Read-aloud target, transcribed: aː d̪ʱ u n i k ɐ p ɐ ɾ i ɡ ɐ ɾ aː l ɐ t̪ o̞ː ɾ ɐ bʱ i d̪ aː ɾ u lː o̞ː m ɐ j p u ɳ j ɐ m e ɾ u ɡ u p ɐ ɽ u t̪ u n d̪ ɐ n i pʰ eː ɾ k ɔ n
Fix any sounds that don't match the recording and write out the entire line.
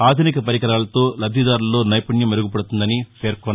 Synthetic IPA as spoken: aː d̪ʱ u n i k ɐ p ɐ ɾ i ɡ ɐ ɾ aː l ɐ t̪ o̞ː l ɐ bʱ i d̪ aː ɾ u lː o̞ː n ɐ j p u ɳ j ɐ m e ɾ u ɡ u p ɐ ɽ u t̪ u n d̪ ɐ n i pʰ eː ɾ k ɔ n